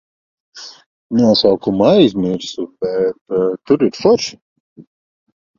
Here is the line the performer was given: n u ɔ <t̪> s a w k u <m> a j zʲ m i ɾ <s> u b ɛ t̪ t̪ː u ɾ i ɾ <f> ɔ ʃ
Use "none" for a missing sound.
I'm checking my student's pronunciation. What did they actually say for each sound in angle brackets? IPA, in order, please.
none, m, s, f

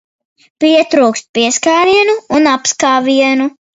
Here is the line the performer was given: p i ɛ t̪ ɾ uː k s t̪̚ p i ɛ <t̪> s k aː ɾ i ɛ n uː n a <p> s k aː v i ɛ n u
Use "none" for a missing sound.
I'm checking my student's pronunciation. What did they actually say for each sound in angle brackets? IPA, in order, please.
none, p

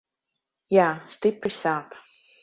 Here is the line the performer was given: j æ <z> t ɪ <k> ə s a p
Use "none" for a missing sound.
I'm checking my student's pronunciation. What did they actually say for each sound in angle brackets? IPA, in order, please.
s, p

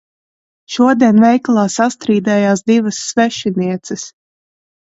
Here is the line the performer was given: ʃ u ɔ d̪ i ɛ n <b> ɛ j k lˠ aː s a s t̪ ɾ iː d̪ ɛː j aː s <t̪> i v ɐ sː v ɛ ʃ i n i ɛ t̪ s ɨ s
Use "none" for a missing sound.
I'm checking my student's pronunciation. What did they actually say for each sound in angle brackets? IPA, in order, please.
v, d̪

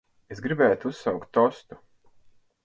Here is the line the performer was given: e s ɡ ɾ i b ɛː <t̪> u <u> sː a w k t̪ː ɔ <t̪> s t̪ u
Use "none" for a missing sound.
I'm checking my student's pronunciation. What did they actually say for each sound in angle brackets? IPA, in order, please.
t̪, u, none

